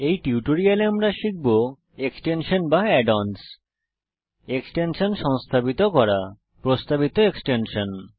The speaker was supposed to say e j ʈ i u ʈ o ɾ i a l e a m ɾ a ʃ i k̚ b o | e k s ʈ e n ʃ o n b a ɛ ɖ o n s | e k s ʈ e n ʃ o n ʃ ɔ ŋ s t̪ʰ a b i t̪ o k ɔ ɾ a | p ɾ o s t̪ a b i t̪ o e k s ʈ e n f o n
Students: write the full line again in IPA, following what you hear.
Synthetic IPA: e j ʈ i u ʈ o ɾ i a l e a m ɾ a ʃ i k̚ b o | e k s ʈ e n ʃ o n b a ɛ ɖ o n s | e k s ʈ e n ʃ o n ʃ ɔ ŋ s t̪ʰ a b i t̪ o k ɔ ɾ a | p ɾ o s t̪ a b i t̪ o e k s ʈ e n ʃ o n